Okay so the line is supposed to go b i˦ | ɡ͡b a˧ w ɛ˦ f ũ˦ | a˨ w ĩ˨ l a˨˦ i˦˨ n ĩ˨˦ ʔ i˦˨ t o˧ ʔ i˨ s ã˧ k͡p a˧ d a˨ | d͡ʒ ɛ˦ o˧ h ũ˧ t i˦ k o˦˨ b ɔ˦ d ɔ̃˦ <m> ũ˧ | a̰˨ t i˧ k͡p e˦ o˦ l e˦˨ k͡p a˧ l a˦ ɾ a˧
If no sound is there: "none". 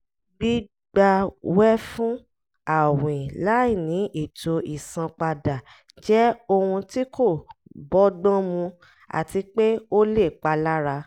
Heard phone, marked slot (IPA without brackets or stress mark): m